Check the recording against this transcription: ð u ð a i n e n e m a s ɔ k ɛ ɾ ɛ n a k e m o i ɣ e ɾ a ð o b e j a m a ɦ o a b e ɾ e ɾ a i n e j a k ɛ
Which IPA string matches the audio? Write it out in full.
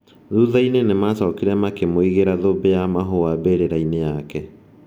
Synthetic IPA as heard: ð u ð a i n e n e m a s ɔ k i ɾ ɛ m a k e m o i ɣ e ɾ a ð o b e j a m a ɦ o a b e ɾ e ɾ a i n e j a k ɛ